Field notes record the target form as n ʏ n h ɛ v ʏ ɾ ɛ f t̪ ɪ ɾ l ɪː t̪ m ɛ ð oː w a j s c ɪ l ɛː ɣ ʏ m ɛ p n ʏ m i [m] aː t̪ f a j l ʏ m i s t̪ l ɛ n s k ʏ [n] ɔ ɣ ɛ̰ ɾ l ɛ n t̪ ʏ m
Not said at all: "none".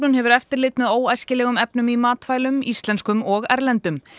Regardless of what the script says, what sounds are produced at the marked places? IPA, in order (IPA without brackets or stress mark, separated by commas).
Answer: m, m